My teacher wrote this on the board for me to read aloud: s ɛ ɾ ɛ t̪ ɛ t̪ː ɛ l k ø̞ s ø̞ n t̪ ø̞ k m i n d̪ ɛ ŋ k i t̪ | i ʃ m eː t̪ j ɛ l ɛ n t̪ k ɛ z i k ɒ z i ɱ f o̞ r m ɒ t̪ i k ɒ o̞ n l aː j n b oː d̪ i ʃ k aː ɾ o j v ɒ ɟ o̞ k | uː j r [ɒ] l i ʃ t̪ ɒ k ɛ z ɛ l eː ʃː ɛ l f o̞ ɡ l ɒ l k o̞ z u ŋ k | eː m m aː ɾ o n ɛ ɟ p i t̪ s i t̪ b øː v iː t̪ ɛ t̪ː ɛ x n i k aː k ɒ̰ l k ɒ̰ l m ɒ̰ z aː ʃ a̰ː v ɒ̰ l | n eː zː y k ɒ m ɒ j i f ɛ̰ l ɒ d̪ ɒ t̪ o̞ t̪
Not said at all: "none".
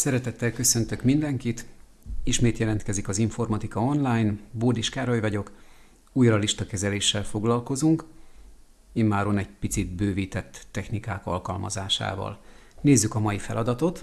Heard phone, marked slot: ɒ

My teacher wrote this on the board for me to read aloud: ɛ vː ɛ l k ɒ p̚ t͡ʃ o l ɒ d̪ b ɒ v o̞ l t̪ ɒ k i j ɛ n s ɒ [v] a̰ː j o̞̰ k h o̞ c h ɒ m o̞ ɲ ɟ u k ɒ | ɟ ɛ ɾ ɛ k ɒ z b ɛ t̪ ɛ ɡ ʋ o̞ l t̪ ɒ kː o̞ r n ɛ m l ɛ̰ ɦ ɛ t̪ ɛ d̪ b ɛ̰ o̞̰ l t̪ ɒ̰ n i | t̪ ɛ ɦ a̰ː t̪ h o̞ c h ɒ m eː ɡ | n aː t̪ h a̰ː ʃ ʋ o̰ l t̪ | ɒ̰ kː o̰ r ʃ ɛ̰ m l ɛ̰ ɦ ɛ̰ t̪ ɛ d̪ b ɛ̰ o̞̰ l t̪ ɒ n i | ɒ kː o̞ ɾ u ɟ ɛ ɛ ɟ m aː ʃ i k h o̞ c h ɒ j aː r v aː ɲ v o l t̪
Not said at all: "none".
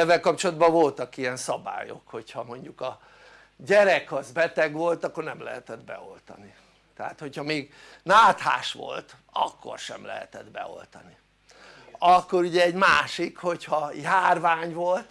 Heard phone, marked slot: b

